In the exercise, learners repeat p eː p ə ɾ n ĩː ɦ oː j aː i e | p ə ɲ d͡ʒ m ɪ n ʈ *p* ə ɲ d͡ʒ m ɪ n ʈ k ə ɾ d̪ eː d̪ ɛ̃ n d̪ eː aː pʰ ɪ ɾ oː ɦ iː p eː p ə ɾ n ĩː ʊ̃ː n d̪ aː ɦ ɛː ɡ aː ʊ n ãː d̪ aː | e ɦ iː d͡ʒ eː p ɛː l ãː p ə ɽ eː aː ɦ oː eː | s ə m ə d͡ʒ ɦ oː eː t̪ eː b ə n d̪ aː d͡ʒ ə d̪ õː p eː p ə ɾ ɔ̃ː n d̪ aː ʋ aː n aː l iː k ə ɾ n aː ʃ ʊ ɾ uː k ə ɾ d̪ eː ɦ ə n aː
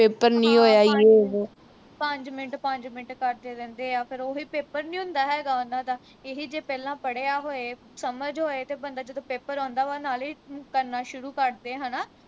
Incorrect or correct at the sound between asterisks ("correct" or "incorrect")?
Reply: correct